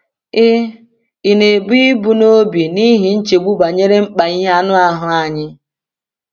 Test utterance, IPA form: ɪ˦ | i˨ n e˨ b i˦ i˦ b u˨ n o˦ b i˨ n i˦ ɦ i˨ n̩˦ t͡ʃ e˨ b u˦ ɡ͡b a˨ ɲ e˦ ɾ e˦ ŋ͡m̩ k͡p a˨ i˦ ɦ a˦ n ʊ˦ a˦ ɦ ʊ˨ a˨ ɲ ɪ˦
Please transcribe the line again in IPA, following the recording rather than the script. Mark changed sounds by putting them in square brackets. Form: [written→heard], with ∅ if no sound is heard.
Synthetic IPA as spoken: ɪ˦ | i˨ n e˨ b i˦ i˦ b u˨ n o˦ b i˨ n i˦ ɦ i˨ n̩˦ t͡ʃ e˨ [b→ɡ͡b] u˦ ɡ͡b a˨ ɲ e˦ ɾ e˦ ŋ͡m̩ k͡p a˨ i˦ ɦ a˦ n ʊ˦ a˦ ɦ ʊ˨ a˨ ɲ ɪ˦